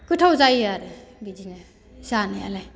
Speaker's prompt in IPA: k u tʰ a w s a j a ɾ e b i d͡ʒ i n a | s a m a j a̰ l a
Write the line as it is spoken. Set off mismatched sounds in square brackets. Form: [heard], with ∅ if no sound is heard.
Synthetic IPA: k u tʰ a w [z] a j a ɾ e b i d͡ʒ i n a | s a [n] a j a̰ l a